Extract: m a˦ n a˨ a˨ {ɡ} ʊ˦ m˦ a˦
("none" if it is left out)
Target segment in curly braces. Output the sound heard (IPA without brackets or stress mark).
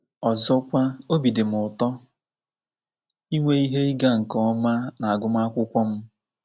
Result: ɡ